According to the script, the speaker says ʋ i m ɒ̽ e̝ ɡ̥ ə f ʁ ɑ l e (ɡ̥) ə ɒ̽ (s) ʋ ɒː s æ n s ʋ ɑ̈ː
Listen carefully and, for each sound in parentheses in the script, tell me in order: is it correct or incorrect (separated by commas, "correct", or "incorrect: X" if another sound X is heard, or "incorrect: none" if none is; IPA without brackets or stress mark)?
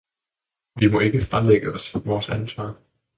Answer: correct, correct